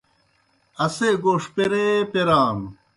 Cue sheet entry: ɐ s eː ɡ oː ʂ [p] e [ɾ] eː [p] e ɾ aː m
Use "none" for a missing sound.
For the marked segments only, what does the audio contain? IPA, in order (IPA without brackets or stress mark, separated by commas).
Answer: p, ɾ, p